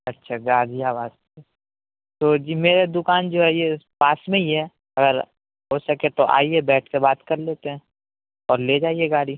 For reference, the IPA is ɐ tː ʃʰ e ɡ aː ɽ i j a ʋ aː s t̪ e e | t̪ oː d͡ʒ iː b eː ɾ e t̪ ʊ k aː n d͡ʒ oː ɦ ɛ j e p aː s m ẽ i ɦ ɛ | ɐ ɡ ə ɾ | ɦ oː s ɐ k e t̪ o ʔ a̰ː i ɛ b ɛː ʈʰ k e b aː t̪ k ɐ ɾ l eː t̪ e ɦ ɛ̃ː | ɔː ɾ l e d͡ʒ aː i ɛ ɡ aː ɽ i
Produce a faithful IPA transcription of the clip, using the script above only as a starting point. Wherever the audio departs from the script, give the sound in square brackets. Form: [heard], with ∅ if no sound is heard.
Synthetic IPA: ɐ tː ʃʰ [a] ɡ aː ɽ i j a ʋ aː s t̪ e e | t̪ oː d͡ʒ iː [m] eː ɾ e [d̪] ʊ k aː n d͡ʒ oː ɦ ɛ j e p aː s m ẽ i ɦ ɛ | ɐ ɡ ə ɾ | ɦ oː s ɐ k e t̪ o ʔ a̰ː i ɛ b ɛː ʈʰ k e b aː t̪ k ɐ ɾ l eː t̪ e ɦ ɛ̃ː | ɔː ɾ l e d͡ʒ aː i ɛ ɡ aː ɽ i